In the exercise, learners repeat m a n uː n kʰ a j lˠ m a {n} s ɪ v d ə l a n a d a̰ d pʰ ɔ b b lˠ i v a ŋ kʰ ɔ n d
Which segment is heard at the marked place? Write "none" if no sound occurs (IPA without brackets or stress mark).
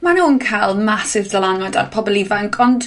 none